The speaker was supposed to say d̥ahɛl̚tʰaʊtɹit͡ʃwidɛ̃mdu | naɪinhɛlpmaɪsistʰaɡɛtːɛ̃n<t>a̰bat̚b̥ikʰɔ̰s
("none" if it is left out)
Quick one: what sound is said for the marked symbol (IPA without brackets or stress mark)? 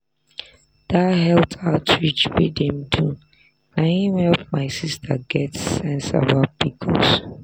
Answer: s